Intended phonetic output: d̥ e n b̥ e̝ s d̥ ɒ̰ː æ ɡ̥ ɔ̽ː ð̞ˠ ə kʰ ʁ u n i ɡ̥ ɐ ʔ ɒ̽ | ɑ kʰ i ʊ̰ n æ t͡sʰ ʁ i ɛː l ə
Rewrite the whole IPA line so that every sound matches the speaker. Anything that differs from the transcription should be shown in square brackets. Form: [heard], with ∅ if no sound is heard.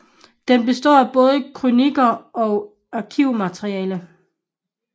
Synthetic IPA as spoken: d̥ e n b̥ e̝ s d̥ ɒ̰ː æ [b̥] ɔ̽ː ð̞ˠ ə kʰ ʁ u n i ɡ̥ ɐ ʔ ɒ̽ | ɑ kʰ i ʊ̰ [m] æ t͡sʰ ʁ i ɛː l ə